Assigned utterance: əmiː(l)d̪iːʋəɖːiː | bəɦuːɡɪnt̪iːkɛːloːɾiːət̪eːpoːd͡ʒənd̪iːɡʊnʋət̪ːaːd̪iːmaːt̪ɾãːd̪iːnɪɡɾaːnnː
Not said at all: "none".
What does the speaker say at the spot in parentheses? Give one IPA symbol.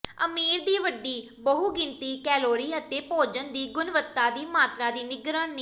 ɾ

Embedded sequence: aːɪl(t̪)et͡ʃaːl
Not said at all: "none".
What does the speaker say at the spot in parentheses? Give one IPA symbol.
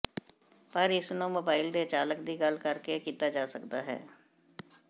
d̪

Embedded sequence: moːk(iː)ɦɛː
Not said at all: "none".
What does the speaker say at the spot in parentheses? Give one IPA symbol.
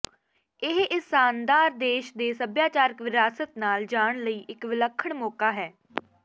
aː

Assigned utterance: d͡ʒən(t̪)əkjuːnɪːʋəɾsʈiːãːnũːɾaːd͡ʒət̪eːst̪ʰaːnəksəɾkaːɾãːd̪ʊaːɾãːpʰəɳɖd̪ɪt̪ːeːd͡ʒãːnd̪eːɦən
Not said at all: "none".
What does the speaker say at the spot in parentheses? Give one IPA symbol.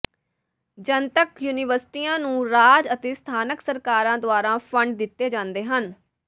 t̪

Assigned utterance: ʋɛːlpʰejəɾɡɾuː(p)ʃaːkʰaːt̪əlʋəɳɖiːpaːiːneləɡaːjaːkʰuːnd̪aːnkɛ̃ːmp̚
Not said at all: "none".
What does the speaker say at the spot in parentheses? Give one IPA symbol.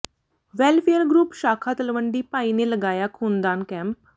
p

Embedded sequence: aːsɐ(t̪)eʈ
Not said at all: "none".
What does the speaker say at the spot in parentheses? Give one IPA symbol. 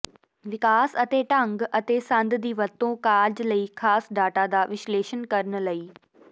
t̪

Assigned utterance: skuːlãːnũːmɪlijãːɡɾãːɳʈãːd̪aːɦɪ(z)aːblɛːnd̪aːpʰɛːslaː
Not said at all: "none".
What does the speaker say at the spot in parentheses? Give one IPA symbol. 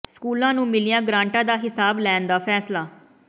s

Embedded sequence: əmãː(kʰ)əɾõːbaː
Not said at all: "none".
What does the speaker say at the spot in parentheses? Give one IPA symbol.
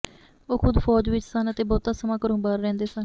k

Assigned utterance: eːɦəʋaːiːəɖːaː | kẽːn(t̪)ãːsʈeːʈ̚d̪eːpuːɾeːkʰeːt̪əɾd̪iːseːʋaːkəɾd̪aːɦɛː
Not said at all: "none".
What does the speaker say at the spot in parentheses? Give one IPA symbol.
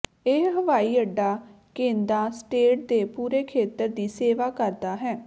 d̪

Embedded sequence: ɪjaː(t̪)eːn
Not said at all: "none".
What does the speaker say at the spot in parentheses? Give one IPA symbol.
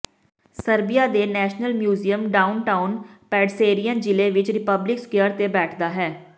d̪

